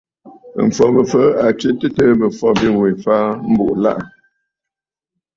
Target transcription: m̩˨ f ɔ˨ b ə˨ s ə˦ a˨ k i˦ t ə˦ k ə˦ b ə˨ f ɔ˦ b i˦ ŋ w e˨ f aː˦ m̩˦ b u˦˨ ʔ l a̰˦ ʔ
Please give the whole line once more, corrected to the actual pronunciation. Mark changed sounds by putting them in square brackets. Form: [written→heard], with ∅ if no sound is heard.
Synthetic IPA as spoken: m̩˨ f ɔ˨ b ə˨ [s→f] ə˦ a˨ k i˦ t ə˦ [k→t] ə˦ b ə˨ f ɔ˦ b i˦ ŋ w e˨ f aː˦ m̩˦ b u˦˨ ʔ l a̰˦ ʔ